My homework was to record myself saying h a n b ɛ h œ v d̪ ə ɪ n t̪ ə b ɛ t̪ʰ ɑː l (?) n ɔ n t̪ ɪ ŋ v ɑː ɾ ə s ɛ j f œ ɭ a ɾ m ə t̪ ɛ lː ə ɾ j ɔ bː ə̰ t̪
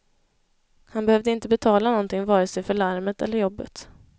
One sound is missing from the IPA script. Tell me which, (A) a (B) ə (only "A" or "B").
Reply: A